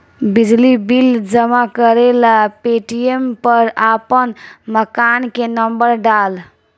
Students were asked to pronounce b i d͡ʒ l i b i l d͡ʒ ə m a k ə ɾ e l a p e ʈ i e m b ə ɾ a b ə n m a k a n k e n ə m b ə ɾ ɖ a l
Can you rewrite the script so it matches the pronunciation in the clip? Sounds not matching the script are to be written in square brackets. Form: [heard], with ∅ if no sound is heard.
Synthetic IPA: b i d͡ʒ l i b i l d͡ʒ ə m a k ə ɾ e l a p e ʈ i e m [p] ə ɾ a [p] ə n m [ə] k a n k e n ə m b ə ɾ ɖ a l